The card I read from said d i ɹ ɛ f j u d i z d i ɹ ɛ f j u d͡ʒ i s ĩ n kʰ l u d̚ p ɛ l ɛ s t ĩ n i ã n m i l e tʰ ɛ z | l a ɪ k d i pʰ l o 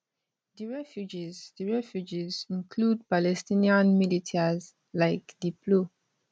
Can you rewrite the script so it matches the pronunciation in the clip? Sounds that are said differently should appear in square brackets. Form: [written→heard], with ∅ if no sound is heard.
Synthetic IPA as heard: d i ɹ ɛ f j u [d→d͡ʒ] i z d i ɹ ɛ f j u d͡ʒ i [s→z] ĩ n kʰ l u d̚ p [ɛ→a] l ɛ s t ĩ n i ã n m i l [e→i] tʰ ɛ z | l a ɪ k d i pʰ l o